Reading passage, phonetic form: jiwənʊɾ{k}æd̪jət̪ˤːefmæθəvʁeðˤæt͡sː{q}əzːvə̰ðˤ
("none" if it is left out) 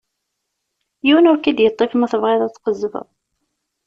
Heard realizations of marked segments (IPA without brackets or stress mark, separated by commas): k, q